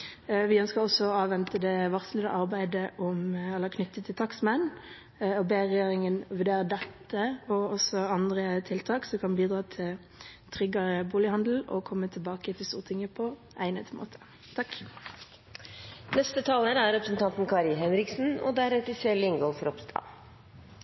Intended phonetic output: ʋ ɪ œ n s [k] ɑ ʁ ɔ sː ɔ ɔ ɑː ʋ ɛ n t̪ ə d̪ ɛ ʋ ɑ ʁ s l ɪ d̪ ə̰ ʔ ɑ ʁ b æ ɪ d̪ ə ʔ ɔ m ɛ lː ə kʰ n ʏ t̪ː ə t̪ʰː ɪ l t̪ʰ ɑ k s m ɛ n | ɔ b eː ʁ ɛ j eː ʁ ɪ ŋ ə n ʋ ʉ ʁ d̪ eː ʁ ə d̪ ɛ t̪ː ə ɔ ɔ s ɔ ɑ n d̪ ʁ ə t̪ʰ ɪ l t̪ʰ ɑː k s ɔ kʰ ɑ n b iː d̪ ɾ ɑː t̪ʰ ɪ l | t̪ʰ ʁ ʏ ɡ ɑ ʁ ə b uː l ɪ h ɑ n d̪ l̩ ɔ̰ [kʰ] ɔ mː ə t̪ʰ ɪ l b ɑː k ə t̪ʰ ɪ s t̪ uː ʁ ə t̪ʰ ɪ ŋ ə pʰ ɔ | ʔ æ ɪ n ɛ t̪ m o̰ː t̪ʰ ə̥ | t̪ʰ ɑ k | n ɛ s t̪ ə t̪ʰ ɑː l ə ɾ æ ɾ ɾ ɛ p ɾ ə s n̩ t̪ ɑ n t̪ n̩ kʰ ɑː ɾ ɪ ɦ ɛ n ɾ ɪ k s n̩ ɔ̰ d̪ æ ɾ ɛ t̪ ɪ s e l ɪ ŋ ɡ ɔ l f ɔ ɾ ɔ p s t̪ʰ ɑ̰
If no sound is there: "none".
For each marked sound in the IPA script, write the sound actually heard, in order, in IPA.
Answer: k, kʰ

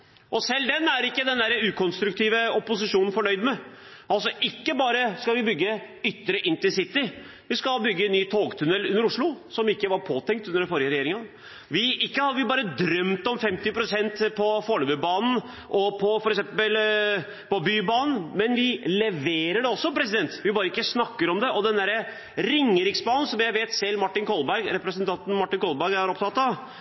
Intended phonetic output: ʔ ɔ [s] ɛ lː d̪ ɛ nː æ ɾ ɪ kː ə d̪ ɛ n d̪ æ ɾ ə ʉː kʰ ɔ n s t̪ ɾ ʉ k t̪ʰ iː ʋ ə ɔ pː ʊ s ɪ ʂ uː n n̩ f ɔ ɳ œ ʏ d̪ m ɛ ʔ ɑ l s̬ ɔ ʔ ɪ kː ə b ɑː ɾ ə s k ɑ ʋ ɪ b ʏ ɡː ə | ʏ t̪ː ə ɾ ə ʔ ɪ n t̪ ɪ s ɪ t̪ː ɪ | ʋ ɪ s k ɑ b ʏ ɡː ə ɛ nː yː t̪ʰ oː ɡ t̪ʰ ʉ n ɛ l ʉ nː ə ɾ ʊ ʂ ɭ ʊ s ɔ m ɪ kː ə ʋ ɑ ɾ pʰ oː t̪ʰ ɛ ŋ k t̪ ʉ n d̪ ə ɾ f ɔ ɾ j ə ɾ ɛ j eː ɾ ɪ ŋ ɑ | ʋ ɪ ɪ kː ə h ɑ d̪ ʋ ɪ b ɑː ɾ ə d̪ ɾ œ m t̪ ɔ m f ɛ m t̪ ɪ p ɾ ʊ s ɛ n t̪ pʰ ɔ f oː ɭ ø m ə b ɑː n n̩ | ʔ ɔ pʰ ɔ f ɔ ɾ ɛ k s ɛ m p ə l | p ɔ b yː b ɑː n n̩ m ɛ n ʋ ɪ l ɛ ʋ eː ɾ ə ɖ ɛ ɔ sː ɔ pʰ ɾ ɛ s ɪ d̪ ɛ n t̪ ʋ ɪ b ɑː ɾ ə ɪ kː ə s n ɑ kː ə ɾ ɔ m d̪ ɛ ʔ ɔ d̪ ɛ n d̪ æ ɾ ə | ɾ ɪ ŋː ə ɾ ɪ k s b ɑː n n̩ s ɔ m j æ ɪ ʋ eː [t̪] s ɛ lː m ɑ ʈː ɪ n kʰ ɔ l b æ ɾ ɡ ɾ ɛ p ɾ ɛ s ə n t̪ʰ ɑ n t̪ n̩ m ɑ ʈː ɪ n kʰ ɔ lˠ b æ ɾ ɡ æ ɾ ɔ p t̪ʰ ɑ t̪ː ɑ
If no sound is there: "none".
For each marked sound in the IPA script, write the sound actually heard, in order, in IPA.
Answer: s, t̪

